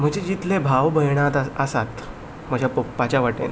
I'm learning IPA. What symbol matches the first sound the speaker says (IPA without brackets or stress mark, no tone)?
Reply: m̤